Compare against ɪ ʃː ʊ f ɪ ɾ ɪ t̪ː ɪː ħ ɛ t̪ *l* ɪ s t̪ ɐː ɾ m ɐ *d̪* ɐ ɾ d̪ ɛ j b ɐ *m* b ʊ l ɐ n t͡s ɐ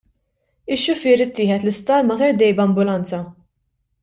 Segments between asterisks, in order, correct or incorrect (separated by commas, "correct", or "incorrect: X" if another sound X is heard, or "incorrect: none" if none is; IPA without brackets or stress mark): correct, incorrect: t̪, correct